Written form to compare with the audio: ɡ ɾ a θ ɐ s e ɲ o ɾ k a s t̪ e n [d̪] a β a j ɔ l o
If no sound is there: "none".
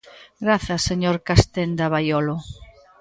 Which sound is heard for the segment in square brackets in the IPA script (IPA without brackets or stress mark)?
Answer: d̪